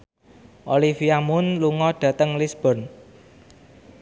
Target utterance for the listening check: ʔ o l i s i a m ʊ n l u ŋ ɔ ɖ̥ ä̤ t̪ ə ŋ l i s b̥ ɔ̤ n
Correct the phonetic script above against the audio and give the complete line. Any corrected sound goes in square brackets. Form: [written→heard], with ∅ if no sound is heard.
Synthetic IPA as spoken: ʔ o l i [s→f] i a m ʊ n l u ŋ ɔ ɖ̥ ä̤ t̪ ə ŋ l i s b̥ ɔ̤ n